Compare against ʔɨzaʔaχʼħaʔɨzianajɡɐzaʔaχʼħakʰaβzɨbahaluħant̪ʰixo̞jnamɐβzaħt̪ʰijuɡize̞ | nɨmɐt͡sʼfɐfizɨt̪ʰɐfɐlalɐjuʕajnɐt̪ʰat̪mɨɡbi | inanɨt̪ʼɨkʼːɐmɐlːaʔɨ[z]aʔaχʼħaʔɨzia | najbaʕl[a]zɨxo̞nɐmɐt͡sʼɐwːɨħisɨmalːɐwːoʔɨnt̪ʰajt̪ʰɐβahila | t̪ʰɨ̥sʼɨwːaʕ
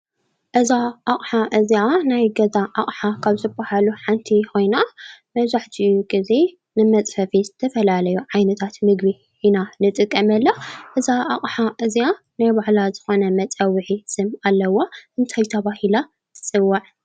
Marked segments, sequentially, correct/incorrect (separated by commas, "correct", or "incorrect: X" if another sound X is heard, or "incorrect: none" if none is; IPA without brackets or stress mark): correct, correct